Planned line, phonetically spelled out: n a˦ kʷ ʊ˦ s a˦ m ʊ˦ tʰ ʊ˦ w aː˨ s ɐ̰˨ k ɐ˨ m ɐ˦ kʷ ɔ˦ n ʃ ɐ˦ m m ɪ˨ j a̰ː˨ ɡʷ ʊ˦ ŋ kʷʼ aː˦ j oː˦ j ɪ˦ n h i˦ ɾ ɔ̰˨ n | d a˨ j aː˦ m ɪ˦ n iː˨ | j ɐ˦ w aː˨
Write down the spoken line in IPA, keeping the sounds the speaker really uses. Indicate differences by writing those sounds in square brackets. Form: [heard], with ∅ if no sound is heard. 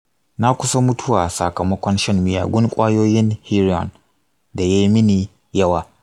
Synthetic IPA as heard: n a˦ kʷ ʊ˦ s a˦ m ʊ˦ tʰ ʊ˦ w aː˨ s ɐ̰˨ k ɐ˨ m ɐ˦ kʷ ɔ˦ n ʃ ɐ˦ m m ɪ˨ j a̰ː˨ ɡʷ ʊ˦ ŋ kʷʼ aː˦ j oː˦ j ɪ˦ n h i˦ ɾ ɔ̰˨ n | d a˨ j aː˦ m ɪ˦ n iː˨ | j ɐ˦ w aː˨